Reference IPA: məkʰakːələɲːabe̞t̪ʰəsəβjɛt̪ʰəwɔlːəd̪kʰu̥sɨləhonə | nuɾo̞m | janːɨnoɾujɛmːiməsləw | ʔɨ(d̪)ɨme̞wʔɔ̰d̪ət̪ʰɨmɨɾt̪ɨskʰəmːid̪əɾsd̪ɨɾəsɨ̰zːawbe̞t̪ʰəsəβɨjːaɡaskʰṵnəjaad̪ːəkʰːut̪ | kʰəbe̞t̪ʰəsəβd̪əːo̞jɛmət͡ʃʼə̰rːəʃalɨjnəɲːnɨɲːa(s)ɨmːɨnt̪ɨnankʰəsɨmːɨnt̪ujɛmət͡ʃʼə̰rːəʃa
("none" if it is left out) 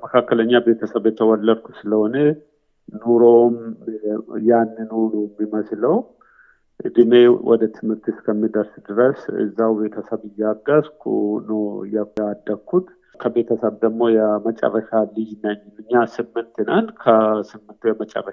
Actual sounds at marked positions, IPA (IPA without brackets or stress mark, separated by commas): d̪, s